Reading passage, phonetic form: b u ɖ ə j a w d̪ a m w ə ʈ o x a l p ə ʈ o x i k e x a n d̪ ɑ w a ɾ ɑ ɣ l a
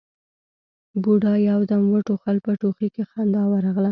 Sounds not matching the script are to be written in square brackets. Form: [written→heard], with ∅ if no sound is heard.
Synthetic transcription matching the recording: b u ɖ [ə→ɑ] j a w d̪ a m w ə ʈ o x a l p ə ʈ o x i k e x a n d̪ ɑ w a ɾ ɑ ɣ l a